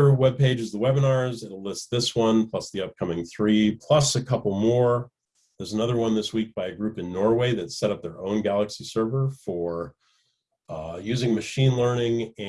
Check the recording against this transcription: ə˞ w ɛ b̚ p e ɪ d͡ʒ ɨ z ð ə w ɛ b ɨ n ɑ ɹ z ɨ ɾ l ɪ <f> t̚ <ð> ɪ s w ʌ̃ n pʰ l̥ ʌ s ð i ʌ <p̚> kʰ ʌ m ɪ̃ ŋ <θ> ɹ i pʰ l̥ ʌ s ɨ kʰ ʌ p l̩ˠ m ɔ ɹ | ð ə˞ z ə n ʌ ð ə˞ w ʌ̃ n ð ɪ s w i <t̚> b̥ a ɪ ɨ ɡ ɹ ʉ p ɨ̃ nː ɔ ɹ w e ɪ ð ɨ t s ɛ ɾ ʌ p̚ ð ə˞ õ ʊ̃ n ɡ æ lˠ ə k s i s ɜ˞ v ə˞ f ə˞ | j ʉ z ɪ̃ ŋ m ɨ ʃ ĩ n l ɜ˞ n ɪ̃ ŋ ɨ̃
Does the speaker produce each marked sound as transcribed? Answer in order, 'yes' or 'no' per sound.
no, yes, yes, yes, no

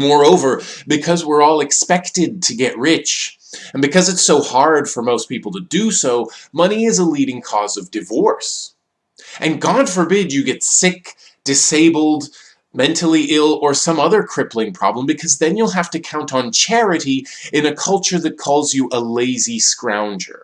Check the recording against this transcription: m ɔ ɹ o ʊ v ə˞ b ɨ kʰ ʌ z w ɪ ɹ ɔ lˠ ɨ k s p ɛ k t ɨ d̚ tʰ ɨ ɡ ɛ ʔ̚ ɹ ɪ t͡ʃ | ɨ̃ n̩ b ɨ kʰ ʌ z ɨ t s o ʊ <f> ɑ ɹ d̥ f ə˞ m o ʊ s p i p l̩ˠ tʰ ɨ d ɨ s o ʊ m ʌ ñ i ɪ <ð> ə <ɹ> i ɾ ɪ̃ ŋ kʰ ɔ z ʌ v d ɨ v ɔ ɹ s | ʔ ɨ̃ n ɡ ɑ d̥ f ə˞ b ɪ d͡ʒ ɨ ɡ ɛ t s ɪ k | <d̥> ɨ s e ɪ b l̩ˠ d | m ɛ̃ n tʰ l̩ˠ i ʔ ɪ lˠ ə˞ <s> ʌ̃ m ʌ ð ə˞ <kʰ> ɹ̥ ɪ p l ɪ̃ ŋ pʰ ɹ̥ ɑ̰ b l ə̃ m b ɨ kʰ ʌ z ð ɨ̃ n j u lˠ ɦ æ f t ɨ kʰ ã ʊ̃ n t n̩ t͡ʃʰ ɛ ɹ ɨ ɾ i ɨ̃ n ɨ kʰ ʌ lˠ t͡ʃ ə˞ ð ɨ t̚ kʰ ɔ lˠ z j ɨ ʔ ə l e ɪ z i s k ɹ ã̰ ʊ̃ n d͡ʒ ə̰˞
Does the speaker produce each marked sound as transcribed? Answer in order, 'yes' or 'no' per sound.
no, no, no, yes, yes, yes

